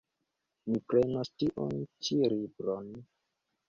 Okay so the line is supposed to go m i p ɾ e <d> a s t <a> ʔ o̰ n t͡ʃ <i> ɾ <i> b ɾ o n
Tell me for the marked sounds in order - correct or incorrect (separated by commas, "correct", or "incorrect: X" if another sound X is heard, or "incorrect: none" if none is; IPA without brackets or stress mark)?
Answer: incorrect: n, incorrect: i, correct, correct